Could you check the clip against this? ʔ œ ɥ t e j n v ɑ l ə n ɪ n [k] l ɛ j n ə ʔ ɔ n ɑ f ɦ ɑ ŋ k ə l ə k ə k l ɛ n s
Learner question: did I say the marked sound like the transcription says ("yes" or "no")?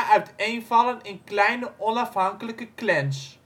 yes